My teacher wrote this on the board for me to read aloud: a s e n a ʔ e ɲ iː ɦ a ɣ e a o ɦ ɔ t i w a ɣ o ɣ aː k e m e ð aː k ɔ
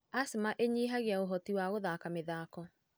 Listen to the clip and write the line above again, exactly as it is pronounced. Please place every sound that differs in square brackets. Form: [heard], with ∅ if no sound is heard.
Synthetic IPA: a s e [m] a ʔ e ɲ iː ɦ a ɣ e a o ɦ ɔ t i w a ɣ o [ð] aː k [a] m e ð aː k ɔ